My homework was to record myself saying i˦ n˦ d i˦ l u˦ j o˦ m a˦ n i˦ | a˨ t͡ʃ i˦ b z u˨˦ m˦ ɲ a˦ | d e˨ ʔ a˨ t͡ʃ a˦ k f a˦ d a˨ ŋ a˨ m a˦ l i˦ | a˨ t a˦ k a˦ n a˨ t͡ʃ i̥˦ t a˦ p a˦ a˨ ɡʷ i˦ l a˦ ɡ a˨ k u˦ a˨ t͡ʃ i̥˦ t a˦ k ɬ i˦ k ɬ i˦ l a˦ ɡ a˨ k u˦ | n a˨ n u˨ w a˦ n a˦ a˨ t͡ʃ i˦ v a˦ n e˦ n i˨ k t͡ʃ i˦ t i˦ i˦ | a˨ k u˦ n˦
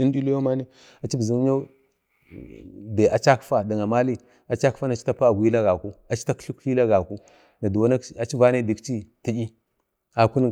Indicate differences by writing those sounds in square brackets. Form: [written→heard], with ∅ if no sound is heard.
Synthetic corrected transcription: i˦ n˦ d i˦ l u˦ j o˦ m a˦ n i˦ | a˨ t͡ʃ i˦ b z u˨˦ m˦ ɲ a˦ | d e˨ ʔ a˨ t͡ʃ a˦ k f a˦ d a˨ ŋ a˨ m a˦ l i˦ | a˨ [t→t͡ʃ] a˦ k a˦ n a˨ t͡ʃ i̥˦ t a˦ p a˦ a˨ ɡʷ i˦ l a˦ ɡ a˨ k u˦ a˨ t͡ʃ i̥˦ t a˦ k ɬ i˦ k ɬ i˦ l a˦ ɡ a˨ k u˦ | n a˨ [n→d] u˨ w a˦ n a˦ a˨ t͡ʃ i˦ v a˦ n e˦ [n→d] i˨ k t͡ʃ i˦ t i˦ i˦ | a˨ k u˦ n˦